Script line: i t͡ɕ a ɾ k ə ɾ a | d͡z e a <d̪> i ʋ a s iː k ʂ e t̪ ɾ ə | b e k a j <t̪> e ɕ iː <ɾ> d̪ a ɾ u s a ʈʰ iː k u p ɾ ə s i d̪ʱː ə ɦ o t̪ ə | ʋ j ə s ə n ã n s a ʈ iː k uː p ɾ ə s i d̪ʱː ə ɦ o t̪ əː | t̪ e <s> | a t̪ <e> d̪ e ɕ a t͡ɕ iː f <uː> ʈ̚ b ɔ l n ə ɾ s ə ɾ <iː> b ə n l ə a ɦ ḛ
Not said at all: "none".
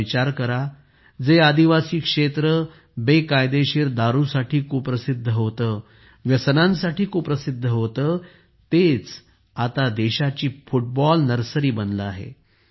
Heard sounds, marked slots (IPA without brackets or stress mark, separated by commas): d̪, d̪, ɾ, t͡s, a, u, iː